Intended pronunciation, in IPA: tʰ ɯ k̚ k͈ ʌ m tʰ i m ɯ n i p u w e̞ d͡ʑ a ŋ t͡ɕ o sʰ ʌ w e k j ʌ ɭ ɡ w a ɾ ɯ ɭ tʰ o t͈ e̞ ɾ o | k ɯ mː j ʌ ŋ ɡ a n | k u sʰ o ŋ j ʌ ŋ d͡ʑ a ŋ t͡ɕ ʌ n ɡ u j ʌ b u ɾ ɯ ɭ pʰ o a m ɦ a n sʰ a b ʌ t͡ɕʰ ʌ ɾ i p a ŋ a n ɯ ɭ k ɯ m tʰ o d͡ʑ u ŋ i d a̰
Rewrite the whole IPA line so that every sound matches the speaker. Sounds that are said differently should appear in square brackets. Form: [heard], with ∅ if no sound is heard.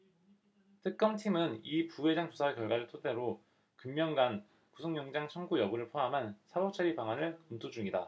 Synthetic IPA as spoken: tʰ ɯ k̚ k͈ ʌ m tʰ i m ɯ n i p u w e̞ d͡ʑ a ŋ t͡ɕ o sʰ [a] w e k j ʌ ɭ ɡ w a ɾ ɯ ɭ tʰ o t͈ e̞ ɾ o | k ɯ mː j ʌ ŋ ɡ a n | k u sʰ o ŋ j ʌ ŋ d͡ʑ a ŋ [t͡ɕʰ] ʌ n ɡ u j ʌ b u ɾ ɯ ɭ pʰ o a m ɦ a n sʰ a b ʌ t͡ɕʰ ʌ ɾ i p a ŋ a n ɯ ɭ k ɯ m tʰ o d͡ʑ u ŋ i d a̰